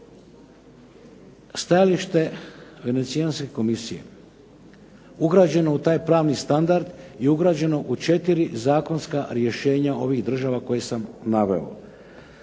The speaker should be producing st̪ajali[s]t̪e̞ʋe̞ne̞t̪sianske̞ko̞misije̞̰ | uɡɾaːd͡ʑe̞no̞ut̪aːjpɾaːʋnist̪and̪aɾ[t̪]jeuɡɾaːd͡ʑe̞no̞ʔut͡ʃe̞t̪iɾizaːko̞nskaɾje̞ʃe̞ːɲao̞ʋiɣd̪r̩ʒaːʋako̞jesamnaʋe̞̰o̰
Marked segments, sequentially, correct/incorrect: incorrect: ʃ, incorrect: d̪

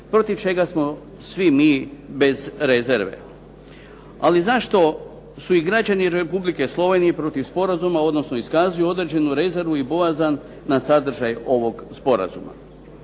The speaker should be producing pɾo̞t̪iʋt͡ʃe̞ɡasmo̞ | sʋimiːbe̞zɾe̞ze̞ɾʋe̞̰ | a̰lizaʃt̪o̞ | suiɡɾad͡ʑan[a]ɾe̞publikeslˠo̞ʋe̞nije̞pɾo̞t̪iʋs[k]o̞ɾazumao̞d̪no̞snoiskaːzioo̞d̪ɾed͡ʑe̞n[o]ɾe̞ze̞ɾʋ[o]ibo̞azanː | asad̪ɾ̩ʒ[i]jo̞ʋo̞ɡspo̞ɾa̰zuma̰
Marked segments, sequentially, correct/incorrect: incorrect: i, incorrect: p, incorrect: u, incorrect: u, incorrect: a

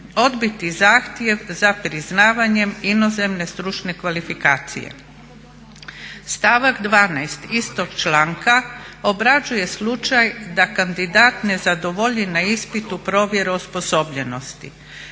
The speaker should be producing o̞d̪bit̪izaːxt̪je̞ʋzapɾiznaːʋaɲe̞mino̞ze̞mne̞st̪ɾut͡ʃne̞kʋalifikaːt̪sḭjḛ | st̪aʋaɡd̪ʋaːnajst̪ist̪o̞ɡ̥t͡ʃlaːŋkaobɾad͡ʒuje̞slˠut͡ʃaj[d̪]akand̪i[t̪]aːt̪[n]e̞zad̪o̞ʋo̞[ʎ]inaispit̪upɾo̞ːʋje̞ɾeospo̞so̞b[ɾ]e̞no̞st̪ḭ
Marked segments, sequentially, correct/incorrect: correct, incorrect: d̪, correct, correct, incorrect: ʎ

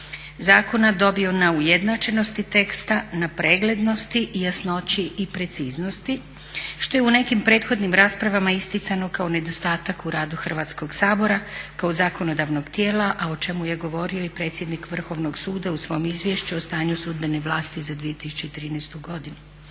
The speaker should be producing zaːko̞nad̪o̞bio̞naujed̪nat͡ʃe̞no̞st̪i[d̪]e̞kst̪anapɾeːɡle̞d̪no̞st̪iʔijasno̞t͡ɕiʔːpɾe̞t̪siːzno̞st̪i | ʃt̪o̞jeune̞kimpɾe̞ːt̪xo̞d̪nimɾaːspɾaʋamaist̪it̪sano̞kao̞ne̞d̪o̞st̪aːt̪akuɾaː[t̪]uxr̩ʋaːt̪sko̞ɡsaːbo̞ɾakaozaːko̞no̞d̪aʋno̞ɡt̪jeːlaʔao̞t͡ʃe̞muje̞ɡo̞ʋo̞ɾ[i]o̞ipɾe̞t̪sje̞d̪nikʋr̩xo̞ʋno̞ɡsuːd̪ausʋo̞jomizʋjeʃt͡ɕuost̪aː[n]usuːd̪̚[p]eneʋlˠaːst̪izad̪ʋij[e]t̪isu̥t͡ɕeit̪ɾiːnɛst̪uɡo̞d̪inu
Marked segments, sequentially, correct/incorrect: incorrect: t̪, incorrect: d̪, correct, incorrect: ɲ, incorrect: b, correct

